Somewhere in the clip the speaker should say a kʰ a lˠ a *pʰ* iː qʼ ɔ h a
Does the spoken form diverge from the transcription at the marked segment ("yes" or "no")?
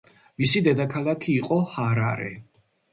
yes